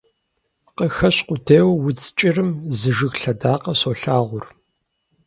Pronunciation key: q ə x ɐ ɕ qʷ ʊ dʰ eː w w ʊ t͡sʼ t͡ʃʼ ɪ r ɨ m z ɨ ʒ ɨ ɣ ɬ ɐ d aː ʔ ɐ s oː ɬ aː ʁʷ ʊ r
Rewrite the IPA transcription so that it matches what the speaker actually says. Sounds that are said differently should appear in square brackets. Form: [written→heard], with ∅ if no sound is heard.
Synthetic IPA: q ə x ɐ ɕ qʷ ʊ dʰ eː w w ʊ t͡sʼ t͡ʃʼ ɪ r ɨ m z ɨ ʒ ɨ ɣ ɬ ɐ d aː [ʔ→q] ɐ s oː ɬ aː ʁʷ ʊ r